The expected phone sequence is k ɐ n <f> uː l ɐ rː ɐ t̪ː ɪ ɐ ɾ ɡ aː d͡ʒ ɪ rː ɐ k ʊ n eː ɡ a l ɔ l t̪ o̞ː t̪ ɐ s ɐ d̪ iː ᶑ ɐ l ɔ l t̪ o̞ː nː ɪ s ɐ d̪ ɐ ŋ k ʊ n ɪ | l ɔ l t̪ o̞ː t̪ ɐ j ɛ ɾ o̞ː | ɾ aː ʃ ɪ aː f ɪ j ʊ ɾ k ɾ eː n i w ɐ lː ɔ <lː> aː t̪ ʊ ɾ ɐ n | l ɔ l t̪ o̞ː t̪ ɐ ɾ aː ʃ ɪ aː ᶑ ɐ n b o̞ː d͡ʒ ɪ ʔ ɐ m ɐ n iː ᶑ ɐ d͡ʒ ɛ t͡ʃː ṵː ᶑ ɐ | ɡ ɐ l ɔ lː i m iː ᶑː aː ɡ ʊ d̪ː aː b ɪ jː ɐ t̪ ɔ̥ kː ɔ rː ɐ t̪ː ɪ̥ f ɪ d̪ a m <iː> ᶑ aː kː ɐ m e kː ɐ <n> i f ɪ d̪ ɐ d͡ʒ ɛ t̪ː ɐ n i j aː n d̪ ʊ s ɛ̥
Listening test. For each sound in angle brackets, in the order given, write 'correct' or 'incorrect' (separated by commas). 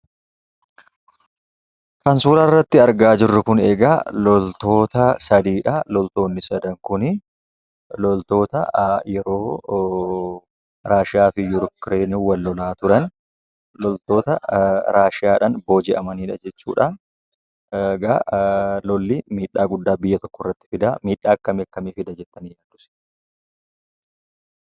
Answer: incorrect, incorrect, correct, incorrect